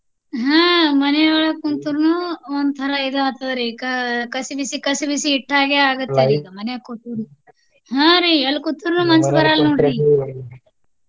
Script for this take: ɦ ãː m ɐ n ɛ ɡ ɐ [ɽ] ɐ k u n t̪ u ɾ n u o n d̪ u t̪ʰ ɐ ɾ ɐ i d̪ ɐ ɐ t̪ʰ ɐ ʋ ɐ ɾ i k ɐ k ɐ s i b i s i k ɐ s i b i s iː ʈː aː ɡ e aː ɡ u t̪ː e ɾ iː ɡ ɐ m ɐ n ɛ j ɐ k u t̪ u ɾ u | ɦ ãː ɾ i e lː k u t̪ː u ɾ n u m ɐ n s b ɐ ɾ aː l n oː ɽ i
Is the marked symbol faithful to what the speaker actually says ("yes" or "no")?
no